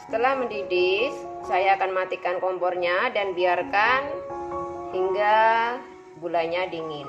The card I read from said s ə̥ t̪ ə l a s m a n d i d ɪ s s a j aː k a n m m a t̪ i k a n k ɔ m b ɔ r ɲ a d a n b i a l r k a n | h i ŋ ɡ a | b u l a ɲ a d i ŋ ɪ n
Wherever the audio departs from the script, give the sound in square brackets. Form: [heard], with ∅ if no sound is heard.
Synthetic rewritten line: s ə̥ t̪ ə l a [h] m [ə] n d i d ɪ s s a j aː k a n m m a t̪ i k a n k ɔ m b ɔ r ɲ a d a n b i a [∅] r k a n | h i ŋ ɡ a | b u l a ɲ a d i ŋ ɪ n